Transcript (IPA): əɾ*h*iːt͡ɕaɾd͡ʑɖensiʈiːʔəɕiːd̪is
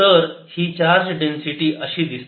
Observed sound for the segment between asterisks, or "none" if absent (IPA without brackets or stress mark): h